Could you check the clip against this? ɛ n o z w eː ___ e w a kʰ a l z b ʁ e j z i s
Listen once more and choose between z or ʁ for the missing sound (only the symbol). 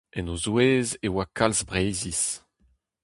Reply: z